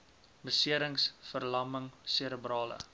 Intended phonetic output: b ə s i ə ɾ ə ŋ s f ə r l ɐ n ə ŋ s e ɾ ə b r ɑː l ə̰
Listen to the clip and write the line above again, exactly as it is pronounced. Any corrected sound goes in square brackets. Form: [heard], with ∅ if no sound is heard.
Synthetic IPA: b ə s i ə ɾ ə ŋ s f ə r l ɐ [m] ə ŋ s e ɾ ə b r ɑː l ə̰